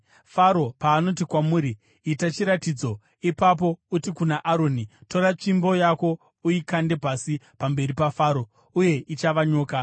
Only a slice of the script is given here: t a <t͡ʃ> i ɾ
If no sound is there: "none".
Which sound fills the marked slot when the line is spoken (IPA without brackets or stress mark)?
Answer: t͡ʃ